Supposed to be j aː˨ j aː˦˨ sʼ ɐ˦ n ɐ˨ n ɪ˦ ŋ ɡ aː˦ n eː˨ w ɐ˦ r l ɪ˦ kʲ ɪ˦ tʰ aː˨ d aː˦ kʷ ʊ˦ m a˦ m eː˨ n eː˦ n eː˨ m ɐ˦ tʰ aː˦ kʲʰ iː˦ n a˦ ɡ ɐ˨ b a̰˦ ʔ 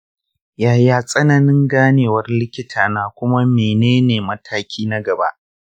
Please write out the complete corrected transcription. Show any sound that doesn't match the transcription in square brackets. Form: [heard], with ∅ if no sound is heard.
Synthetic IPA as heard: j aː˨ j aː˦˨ sʼ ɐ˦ n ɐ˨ n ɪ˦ ŋ ɡ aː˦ n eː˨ w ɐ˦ r l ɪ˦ kʲ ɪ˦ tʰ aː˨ [n] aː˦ kʷ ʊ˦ m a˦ m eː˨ n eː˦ n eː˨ m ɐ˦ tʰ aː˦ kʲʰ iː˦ n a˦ ɡ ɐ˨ b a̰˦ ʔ